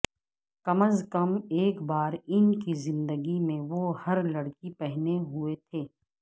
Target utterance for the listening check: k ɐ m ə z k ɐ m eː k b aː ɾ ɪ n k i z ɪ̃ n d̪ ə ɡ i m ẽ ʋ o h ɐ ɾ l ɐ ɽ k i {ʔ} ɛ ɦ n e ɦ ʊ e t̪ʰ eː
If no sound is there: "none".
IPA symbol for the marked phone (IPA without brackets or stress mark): p